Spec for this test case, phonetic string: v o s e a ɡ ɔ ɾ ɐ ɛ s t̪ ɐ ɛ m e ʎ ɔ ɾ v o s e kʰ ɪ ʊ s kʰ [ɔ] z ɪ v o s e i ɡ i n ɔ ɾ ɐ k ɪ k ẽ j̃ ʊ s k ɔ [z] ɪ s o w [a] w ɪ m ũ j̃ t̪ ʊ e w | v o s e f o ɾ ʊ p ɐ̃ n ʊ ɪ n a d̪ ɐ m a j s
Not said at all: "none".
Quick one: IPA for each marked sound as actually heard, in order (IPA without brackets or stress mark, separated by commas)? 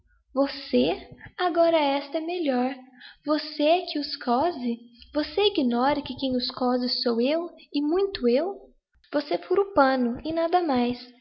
ɔ, z, e